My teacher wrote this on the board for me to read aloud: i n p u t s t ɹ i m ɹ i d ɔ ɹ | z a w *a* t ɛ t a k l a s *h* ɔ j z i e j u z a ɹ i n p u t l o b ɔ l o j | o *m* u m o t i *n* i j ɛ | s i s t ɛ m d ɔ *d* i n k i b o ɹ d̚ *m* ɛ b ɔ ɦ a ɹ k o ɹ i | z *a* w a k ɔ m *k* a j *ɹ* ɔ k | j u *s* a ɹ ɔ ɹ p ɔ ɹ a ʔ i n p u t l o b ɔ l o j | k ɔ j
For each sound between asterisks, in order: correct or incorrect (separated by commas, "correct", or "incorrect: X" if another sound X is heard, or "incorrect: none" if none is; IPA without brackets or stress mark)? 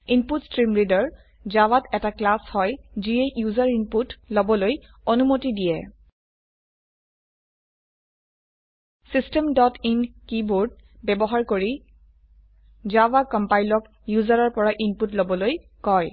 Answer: correct, correct, incorrect: n, incorrect: d, incorrect: t, incorrect: b, correct, incorrect: p, incorrect: l, incorrect: z